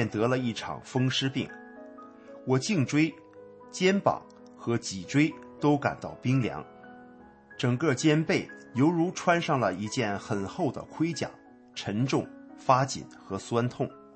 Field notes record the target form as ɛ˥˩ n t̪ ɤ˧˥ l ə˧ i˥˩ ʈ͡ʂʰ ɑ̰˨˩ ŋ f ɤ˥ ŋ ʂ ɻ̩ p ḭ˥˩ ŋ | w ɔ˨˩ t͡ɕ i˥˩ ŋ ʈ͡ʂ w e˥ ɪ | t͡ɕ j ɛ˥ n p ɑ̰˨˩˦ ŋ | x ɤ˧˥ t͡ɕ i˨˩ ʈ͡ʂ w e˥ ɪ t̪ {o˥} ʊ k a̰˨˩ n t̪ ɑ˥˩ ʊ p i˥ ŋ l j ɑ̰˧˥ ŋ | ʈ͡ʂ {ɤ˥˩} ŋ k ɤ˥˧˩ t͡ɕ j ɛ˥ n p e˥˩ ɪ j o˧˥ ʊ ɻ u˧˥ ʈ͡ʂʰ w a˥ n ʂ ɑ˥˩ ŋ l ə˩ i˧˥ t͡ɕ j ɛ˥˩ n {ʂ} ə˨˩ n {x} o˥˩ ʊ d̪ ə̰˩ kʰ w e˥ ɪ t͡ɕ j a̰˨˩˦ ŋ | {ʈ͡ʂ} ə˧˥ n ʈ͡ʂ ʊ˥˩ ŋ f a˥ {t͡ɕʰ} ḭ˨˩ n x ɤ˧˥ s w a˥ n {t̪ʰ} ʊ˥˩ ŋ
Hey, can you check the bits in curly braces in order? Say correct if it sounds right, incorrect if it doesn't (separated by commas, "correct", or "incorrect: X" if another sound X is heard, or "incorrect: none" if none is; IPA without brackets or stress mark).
correct, incorrect: ɤ˨˩, incorrect: x, correct, incorrect: ʈ͡ʂʰ, incorrect: t͡ɕ, correct